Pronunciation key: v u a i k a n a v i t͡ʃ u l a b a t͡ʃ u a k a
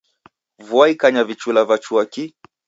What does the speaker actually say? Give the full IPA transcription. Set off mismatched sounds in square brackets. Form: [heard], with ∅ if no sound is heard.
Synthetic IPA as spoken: v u a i k a [ɲ] a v i t͡ʃ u l a [v] a t͡ʃ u a k [i]